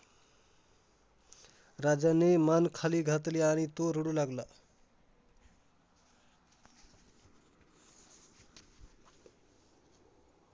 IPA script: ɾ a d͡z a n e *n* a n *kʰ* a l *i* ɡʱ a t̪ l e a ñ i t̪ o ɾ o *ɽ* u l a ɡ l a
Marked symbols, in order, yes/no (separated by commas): no, yes, yes, yes